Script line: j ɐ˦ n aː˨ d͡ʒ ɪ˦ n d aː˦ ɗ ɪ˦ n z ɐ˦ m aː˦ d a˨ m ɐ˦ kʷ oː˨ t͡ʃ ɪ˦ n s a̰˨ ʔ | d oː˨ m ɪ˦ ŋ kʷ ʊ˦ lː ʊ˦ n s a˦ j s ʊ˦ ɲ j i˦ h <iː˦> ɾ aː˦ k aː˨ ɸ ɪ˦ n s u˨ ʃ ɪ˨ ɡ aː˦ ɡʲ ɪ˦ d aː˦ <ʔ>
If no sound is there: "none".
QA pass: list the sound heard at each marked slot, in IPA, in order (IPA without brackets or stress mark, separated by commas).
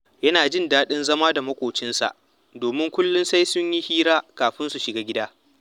iː˦, none